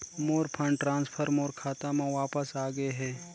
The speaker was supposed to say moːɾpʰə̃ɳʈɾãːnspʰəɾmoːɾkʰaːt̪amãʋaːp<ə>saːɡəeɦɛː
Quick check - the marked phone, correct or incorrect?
correct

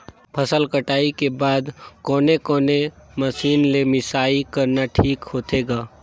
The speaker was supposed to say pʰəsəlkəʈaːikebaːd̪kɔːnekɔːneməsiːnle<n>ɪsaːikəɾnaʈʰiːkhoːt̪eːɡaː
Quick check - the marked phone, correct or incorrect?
incorrect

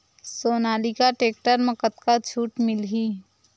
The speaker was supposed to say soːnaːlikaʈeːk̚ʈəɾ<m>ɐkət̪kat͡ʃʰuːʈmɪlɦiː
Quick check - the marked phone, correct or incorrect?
correct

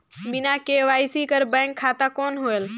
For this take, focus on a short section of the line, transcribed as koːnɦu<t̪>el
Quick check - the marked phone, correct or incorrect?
incorrect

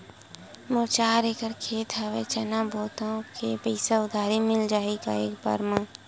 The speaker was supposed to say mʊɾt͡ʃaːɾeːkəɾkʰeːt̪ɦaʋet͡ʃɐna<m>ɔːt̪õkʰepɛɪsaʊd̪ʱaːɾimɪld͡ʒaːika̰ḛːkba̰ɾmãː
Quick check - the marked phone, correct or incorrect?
incorrect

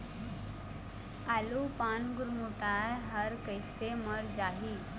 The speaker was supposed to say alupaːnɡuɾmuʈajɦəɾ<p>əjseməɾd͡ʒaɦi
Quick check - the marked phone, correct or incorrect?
incorrect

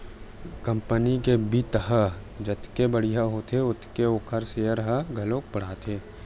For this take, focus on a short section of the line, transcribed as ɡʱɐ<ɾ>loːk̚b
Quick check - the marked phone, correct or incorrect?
incorrect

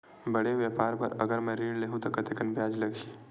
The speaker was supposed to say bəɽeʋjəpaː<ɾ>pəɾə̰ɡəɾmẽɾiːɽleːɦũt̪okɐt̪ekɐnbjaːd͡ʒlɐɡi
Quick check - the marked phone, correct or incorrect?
correct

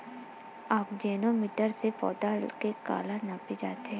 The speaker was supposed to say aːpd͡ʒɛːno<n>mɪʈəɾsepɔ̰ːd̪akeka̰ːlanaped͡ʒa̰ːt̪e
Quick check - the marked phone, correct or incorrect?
incorrect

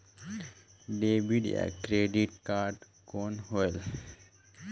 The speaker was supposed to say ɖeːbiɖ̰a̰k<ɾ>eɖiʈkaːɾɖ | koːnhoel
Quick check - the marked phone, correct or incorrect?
correct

